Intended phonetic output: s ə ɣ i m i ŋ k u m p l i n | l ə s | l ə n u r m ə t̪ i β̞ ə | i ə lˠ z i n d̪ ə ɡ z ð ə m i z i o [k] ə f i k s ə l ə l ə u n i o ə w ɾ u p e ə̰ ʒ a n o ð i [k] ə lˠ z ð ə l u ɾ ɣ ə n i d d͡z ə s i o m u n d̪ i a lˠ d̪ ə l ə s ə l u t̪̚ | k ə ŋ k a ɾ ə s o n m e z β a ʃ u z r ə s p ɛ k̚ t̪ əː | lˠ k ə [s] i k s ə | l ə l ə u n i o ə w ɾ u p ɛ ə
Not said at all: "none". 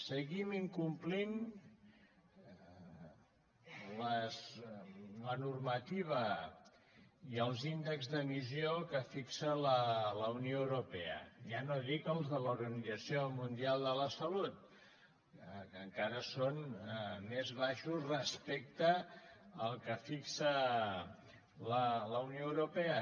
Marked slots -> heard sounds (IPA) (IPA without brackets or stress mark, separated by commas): k, k, f